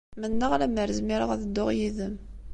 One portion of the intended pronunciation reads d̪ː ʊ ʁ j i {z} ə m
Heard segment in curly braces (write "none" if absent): ð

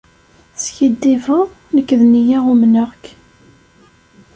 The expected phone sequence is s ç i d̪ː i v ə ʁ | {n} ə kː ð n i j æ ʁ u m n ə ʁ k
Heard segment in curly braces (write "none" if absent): n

